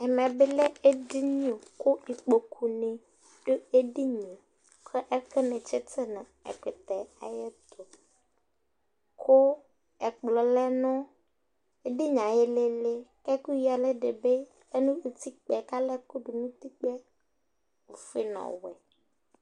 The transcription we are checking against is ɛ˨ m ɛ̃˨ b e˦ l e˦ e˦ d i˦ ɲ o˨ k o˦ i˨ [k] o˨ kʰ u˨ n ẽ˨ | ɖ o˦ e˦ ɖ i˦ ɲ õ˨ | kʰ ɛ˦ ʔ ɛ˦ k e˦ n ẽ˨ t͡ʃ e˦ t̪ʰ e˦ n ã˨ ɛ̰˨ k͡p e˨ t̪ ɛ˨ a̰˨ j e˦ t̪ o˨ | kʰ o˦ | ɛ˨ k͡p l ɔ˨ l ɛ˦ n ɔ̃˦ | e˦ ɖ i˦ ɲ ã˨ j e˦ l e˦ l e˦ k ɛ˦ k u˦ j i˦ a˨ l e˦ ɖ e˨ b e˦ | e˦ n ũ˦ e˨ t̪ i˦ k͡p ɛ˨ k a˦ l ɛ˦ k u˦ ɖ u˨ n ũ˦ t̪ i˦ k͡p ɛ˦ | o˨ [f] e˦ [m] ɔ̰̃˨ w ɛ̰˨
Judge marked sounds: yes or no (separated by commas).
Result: no, yes, no